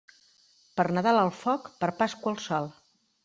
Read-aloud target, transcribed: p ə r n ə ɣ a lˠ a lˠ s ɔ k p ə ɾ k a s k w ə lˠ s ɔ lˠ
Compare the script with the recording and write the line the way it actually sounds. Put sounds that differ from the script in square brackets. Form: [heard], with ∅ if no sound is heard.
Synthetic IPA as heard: p ə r n ə [ð] a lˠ [ə] lˠ [f] ɔ k p ə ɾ [p] a s k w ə lˠ s ɔ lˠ